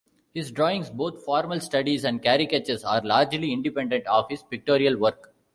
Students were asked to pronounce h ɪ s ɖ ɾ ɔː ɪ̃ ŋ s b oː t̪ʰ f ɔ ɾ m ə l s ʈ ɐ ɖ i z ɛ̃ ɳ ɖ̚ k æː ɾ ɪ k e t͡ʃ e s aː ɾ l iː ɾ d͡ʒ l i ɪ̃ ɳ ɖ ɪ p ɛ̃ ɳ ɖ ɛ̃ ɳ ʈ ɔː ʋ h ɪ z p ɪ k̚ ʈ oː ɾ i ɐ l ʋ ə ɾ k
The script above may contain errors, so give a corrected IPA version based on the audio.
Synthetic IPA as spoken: h ɪ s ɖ ɾ ɔː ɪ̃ ŋ s b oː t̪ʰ f ɔː ɾ m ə l s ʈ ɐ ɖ i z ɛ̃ ɳ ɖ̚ k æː ɾ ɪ k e t͡ʃ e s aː ɾ l aː ɾ d͡ʒ l i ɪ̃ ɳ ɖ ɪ p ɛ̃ ɳ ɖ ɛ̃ ɳ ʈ ɔː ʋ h ɪ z p ɪ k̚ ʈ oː ɾ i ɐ l ʋ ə ɾ k